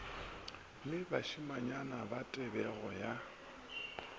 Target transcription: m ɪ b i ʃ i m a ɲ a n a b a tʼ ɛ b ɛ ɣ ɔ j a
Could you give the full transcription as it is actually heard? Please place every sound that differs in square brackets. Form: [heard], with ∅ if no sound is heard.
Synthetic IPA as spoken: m ɪ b [a] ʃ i m a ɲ a n a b a tʼ ɛ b ɛ ɣ ɔ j a

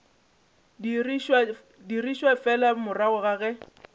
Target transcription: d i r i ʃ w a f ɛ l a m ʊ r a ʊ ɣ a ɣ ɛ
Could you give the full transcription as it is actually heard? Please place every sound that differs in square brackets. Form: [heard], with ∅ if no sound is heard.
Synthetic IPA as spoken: d i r i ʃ w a f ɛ l a m ʊ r a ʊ ɣ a ɣ ɛ

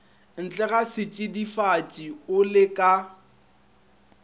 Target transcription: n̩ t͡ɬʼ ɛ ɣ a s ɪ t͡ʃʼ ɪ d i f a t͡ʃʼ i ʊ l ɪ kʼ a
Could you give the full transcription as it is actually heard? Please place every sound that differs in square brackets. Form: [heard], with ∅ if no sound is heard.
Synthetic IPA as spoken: n̩ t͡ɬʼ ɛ ɣ a s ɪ t͡ʃʼ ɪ d i f a t͡ʃʼ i ʊ l ɪ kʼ a

